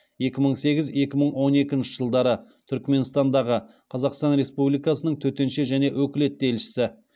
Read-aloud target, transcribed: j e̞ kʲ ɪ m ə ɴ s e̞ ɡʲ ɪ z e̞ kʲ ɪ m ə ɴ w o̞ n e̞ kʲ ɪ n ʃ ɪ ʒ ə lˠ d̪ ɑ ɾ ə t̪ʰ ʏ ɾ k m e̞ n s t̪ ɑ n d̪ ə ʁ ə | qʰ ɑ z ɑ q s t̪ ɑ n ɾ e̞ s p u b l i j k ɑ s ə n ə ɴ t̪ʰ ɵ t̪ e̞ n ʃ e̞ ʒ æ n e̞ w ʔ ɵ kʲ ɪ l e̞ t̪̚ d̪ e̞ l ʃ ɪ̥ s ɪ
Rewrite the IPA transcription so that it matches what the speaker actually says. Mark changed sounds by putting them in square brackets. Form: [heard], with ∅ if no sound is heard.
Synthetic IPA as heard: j e̞ kʲ ɪ m ə ɴ s e̞ ɡʲ ɪ z e̞ kʲ ɪ m ə ɴ w o̞ n e̞ kʲ ɪ n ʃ ɪ ʒ ə lˠ d̪ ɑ ɾ ə t̪ʰ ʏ ɾ k m e̞ n s t̪ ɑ n d̪ [ɑ] ʁ ə | qʰ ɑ z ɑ q s t̪ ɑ n ɾ e̞ s p u b l i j k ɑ s ə n ə ɴ t̪ʰ ɵ t̪ e̞ n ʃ e̞ ʒ æ n e̞ w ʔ ɵ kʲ ɪ l e̞ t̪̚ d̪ e̞ l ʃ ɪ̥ s ɪ